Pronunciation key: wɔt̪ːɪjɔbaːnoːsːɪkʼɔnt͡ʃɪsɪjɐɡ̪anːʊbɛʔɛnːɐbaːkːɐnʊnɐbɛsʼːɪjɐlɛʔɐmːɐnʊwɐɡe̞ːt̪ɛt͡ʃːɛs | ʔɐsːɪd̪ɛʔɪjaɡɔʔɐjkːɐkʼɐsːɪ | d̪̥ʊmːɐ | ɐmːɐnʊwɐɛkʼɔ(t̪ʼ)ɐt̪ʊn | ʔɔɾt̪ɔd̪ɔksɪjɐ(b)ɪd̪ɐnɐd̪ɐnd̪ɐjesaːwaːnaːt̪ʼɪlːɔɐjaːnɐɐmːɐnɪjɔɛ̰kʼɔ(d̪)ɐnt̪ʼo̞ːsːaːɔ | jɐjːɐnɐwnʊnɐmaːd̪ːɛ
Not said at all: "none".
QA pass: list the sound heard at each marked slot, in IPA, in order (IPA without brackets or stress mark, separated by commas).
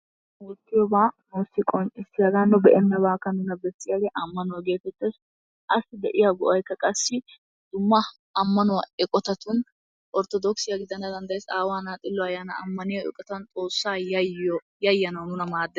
t̪, ɡ, t̪